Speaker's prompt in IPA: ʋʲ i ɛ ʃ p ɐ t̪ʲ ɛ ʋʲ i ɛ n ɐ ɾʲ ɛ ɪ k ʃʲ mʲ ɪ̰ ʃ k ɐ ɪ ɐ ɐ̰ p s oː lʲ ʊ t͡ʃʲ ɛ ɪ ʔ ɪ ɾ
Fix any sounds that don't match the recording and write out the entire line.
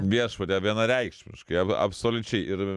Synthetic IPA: ʋʲ i ɛ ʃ p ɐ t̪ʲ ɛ ʋʲ i ɛ n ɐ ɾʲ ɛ ɪ k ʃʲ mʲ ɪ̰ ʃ k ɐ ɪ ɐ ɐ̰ p s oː lʲ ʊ t͡ʃʲ ɛ ɪ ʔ ɪ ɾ